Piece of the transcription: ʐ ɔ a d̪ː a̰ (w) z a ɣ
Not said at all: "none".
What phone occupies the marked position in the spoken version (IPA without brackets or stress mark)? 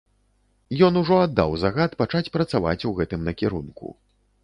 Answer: w